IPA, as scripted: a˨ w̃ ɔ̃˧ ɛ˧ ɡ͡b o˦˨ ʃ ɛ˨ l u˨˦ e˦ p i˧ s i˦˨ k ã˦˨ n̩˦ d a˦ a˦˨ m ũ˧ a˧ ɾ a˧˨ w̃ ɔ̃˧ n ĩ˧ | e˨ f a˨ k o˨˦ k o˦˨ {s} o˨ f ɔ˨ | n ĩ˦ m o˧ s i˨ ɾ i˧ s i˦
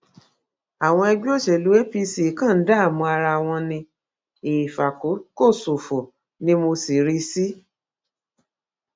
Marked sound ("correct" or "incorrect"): correct